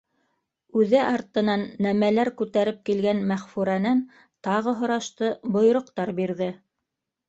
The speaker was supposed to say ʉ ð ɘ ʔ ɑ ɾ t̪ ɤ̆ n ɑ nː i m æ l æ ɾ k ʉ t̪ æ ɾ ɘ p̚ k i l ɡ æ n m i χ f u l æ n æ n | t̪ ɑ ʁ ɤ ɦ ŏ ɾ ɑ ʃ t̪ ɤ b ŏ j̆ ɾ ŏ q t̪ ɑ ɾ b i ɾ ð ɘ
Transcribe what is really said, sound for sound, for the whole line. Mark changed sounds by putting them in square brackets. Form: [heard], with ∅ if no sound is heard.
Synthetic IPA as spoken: ʉ ð ɘ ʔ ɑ ɾ t̪ ɤ̆ n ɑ nː [æ] m æ l æ ɾ k ʉ t̪ æ ɾ ɘ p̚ k i l ɡ æ n m [æ] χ f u [ɾ] æ n æ n | t̪ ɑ ʁ ɤ ɦ ŏ ɾ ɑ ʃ t̪ ɤ b ŏ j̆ ɾ ŏ q t̪ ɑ ɾ b i ɾ ð ɘ